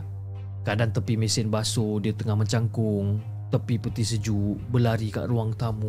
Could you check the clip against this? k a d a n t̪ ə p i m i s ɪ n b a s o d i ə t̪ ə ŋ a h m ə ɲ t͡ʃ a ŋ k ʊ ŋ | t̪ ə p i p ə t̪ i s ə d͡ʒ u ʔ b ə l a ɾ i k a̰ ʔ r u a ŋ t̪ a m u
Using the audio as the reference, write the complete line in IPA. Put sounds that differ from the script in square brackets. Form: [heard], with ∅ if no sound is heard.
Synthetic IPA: k a d a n t̪ ə p i m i s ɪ n b a s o d i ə t̪ ə ŋ a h m ə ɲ t͡ʃ a ŋ k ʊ ŋ | t̪ ə p i p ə t̪ i s ə d͡ʒ u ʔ b ə l a ɾ i k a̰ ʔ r u a ŋ t̪ a m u